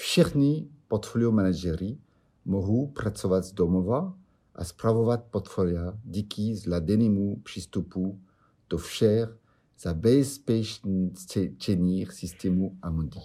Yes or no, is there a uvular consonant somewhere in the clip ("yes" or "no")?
yes